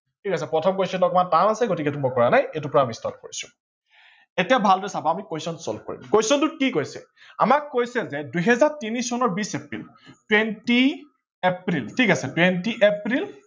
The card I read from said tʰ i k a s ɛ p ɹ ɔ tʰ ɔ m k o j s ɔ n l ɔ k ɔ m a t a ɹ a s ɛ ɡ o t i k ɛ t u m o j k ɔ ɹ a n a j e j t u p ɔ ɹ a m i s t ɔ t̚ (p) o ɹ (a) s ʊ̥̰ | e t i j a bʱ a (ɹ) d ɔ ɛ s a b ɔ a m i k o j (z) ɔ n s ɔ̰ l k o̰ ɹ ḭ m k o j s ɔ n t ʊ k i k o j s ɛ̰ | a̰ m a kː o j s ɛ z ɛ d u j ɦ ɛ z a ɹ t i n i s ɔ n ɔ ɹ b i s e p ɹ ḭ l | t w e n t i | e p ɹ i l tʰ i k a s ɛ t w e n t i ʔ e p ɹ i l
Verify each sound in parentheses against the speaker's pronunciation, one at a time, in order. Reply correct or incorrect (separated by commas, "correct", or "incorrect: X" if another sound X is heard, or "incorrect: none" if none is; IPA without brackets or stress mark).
incorrect: k, incorrect: i, incorrect: l, incorrect: s